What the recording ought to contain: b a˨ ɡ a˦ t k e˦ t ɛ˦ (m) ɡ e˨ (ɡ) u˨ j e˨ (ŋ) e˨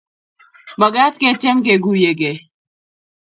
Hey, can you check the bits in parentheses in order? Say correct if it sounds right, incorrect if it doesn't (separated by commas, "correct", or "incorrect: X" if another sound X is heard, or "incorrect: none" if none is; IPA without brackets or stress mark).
correct, correct, incorrect: ɡ